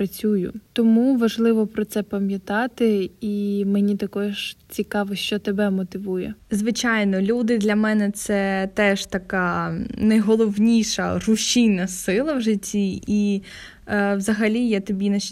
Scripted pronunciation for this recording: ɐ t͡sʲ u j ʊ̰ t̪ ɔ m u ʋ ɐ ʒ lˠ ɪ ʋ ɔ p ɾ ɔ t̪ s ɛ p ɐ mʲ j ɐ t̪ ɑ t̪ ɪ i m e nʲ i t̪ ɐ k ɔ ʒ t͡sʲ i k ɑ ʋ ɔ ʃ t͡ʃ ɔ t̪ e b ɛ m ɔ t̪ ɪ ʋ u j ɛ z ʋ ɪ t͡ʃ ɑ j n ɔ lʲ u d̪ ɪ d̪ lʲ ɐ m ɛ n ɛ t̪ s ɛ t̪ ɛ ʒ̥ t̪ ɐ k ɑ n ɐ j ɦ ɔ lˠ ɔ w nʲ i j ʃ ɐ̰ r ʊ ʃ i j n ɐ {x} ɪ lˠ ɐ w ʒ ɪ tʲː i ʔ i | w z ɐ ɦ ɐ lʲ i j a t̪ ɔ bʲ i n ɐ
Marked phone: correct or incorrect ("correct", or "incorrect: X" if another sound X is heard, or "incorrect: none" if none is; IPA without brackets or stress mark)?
incorrect: s